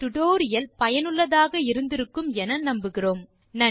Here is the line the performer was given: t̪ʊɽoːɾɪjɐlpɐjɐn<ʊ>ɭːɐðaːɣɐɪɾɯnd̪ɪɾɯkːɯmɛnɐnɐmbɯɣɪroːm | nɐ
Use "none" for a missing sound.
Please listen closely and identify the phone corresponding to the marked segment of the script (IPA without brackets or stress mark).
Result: ɯ